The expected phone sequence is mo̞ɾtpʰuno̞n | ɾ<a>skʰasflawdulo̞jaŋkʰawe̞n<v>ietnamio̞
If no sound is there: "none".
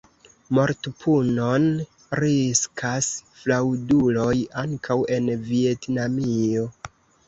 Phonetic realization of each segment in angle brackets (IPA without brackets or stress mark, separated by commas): i, v